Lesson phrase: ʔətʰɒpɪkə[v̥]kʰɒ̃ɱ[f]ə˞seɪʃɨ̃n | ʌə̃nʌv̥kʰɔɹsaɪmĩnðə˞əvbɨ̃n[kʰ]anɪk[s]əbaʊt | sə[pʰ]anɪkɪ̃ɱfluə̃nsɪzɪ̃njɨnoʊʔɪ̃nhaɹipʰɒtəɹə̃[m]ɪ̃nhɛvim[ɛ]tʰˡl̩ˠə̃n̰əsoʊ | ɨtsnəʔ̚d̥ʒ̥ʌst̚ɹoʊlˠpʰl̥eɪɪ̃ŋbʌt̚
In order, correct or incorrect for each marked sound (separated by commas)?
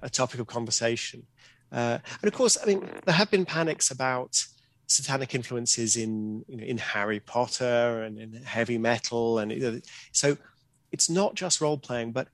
correct, incorrect, incorrect, correct, incorrect, incorrect, correct